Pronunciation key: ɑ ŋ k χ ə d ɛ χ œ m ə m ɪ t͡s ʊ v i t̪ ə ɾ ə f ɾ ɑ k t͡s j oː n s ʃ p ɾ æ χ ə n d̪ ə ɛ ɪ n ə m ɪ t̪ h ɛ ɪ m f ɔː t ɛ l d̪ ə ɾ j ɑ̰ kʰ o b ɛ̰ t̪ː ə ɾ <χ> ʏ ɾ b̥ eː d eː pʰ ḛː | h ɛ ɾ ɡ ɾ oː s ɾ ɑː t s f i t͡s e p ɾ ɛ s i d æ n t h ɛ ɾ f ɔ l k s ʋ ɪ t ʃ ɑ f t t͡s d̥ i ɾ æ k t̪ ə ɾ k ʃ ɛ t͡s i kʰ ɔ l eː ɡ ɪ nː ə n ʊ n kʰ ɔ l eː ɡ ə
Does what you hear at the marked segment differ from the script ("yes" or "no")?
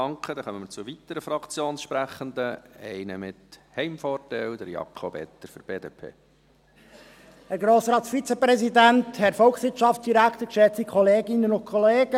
yes